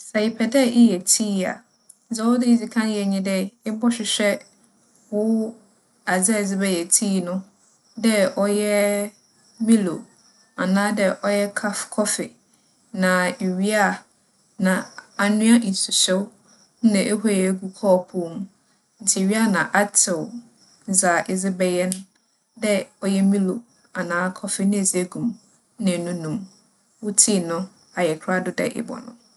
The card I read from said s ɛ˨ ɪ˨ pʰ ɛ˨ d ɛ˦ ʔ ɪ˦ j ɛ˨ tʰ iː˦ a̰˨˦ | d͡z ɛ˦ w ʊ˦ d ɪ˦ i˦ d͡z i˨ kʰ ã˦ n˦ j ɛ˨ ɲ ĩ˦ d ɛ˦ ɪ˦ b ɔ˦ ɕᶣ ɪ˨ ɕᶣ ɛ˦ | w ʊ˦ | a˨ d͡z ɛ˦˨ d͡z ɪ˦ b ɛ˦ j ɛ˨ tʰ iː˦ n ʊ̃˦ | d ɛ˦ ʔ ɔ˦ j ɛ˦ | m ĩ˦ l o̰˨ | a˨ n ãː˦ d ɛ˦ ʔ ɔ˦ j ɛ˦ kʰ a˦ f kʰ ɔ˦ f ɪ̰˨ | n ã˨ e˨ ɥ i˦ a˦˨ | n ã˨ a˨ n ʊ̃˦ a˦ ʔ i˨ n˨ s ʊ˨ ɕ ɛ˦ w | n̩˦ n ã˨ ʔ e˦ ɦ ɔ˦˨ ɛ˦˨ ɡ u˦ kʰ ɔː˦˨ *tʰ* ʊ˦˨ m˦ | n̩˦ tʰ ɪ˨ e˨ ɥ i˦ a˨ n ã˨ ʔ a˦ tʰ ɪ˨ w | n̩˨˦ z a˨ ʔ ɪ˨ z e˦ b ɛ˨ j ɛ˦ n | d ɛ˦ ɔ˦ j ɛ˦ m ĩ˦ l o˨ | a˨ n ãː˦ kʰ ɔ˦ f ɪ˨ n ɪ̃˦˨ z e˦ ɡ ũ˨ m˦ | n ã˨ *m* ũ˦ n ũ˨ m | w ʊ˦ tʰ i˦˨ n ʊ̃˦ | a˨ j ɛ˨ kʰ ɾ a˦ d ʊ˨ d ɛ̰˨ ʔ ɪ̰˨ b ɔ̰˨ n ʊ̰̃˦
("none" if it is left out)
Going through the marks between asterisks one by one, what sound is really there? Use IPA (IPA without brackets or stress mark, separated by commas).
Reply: pʰ, n